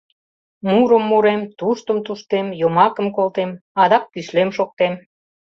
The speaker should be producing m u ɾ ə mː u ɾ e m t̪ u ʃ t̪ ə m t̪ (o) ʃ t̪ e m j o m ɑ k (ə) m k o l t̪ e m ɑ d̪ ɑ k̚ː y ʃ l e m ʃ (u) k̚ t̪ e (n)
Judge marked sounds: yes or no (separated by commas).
no, yes, no, no